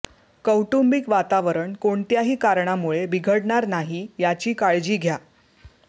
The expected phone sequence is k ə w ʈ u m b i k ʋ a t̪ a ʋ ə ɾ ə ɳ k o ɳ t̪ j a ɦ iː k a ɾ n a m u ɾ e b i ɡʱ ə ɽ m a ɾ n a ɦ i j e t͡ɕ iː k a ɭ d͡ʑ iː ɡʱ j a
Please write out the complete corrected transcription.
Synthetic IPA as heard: k ə w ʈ u m b i k ʋ a t̪ a ʋ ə ɾ ə ɳ k o ɳ t̪ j a ɦ iː k a ɾ ɳ a m u ɭ e b i ɡʱ ə ɽ ɳ a ɾ n a ɦ i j a t͡ɕ iː k a ɭ d͡ʑ iː ɡʱ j a